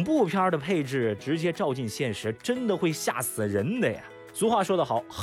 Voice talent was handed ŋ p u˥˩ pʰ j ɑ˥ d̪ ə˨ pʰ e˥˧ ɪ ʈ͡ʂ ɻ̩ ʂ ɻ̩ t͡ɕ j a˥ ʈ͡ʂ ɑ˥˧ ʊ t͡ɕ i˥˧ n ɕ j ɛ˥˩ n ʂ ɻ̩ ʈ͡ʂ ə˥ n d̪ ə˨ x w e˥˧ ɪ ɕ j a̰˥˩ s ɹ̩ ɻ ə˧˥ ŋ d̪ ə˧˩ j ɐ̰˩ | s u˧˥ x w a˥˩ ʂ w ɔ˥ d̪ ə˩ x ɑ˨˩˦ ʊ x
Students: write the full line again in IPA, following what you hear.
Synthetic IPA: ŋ p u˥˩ pʰ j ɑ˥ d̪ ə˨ pʰ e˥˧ ɪ ʈ͡ʂ ɻ̩ ʈ͡ʂ ɻ̩ t͡ɕ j ɛ˥ ʈ͡ʂ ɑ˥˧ ʊ t͡ɕ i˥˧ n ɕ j ɛ˥˩ n ʂ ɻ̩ ʈ͡ʂ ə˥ n d̪ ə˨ x w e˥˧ ɪ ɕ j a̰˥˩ s ɹ̩ ɻ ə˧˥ n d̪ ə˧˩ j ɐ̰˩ | s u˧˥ x w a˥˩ ʂ w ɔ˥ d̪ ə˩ x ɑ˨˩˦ ʊ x